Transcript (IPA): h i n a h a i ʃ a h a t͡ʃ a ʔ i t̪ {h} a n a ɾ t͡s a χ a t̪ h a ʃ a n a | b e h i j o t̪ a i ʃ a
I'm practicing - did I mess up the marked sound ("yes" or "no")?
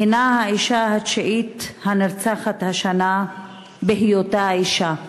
no